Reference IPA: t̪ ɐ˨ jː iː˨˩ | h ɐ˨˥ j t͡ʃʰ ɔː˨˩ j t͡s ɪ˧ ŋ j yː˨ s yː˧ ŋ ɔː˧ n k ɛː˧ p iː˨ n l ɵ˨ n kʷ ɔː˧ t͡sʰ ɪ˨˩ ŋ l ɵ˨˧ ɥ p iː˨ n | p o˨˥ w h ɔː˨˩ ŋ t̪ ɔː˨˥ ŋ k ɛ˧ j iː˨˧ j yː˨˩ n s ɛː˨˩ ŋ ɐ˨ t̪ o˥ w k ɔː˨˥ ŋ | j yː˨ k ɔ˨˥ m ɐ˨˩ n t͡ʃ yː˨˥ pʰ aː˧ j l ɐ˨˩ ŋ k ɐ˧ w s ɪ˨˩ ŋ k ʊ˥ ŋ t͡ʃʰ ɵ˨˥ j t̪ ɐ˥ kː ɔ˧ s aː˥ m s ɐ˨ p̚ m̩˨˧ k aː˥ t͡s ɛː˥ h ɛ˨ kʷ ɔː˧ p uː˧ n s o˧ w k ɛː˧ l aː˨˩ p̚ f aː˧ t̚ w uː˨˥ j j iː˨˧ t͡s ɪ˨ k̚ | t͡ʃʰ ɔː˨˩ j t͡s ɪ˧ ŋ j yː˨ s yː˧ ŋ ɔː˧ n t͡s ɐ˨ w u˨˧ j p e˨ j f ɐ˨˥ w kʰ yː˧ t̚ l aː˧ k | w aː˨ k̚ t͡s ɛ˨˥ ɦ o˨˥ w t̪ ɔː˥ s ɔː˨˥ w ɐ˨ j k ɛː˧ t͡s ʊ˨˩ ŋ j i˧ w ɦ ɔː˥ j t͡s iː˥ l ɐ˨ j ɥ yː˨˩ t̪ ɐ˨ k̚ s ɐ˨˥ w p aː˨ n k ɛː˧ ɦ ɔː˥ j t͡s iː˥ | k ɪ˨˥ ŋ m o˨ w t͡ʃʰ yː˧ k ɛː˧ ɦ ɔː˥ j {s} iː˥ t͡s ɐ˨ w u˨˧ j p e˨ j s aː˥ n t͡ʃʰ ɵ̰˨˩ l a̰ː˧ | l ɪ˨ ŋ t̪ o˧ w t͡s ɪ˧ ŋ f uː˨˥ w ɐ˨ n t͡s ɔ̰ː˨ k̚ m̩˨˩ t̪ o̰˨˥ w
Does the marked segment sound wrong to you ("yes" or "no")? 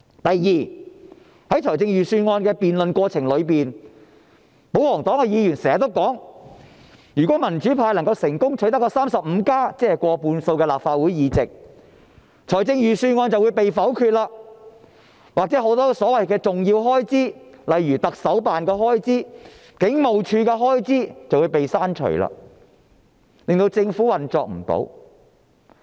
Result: yes